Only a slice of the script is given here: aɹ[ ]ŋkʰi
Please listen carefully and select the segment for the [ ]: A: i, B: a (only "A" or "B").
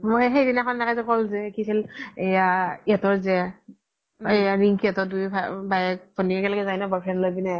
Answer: A